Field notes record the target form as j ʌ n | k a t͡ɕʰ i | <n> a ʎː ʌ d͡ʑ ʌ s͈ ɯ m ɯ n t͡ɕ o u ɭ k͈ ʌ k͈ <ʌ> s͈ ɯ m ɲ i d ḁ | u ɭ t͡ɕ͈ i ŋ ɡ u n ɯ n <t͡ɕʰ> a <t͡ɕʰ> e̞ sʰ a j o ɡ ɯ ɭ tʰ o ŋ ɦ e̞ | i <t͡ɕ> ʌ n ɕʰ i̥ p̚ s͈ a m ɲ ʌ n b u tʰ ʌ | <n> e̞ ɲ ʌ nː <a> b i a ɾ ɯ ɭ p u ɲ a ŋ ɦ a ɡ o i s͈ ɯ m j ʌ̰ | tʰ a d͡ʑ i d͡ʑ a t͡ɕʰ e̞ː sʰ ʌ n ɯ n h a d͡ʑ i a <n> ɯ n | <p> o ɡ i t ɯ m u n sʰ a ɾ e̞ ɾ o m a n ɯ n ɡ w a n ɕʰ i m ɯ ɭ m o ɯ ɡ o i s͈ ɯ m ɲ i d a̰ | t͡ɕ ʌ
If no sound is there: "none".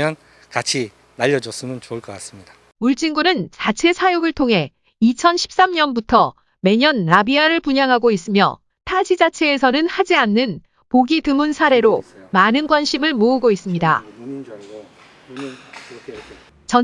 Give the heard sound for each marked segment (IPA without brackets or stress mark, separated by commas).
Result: n, a, t͡ɕ, t͡ɕʰ, t͡ɕʰ, m, a, nː, p